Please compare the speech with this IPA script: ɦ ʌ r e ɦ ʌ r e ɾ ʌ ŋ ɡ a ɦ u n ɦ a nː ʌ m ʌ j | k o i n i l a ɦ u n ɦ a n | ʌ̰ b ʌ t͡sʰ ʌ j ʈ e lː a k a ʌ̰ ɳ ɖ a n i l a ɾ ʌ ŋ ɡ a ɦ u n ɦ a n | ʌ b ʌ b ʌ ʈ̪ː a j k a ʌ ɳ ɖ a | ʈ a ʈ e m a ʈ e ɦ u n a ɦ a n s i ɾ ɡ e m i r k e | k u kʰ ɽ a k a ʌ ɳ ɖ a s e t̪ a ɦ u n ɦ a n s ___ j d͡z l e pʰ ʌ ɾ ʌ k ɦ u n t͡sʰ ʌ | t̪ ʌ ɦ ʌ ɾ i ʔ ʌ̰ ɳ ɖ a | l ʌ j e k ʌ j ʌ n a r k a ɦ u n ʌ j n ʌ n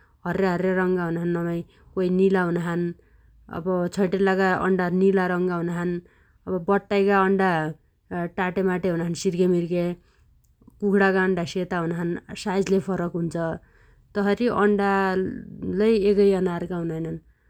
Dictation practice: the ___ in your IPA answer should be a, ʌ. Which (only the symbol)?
a